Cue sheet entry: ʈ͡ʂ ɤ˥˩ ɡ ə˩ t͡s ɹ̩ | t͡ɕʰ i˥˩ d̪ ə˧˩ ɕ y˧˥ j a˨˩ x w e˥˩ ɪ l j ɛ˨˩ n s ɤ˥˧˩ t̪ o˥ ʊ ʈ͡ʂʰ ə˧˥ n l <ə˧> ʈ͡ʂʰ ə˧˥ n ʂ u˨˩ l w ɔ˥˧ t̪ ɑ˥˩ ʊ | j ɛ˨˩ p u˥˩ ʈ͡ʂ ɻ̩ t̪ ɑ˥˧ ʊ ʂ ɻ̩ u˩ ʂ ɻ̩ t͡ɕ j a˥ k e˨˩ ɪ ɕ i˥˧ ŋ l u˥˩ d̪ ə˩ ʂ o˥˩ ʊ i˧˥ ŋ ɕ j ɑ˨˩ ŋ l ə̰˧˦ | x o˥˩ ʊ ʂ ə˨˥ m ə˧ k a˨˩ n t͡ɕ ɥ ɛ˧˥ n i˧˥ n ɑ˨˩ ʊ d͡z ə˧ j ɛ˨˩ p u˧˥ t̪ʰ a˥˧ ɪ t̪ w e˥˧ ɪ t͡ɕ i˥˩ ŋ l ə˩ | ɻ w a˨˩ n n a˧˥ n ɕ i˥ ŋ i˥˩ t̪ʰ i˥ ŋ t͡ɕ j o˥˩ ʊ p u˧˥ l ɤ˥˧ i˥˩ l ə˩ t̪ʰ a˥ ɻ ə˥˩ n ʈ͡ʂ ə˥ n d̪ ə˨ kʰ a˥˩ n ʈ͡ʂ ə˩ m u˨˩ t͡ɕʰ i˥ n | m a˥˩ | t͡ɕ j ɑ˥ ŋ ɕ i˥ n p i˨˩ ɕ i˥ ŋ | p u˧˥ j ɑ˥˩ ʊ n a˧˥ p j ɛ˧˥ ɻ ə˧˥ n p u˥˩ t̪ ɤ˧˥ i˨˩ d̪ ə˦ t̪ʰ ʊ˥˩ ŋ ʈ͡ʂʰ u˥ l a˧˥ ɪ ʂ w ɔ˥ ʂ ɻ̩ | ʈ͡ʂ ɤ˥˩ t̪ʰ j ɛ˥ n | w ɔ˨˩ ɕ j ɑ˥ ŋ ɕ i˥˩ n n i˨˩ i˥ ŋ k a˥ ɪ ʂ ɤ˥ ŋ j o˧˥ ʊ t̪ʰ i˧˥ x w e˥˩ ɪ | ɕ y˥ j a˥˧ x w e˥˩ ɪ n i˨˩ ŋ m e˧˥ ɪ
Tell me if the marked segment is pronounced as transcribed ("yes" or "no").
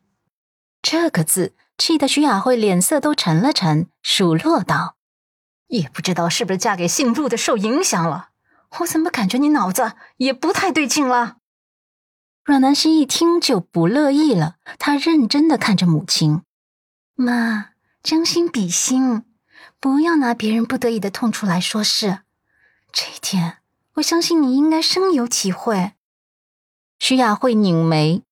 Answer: yes